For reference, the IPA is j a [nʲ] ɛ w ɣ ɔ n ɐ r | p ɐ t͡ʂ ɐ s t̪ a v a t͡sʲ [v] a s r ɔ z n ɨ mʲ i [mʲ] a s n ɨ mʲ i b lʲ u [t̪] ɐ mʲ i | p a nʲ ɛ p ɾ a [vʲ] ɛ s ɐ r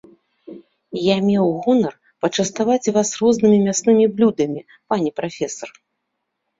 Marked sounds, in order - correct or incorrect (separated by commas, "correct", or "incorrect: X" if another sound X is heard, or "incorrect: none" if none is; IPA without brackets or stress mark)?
incorrect: mʲ, correct, correct, incorrect: d̪, incorrect: fʲ